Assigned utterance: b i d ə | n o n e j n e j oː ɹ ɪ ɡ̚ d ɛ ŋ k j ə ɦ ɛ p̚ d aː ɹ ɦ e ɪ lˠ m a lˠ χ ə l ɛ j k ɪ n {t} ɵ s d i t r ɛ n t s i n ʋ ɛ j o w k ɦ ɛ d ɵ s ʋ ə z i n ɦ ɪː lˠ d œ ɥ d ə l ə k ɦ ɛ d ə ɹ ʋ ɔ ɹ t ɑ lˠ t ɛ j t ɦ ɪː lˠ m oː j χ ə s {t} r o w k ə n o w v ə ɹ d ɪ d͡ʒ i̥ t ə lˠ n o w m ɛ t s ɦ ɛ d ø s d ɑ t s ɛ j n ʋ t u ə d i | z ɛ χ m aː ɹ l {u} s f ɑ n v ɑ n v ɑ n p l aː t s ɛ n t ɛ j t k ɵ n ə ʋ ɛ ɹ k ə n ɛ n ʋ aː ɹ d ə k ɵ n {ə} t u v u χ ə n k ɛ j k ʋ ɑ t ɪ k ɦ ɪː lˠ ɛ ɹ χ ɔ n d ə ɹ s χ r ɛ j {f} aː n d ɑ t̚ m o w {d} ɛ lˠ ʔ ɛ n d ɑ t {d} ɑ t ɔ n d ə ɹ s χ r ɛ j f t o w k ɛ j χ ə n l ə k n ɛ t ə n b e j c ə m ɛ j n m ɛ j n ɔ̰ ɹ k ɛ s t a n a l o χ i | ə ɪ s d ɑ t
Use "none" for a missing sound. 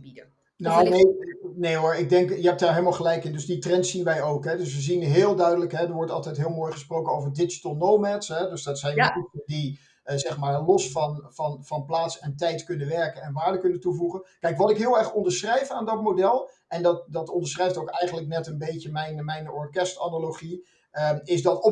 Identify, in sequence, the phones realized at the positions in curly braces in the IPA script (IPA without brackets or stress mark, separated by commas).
d, p, ɔ, ə, f, d, d